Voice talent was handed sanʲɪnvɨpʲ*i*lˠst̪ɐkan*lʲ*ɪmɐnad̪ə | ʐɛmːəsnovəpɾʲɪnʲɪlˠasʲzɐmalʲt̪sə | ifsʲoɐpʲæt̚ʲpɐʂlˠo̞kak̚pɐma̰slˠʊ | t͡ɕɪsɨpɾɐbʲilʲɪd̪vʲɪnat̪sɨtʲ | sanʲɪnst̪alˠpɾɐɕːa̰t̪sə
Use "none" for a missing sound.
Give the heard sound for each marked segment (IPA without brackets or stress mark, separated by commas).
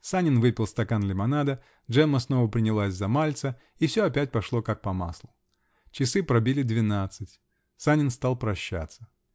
ɪ, lʲ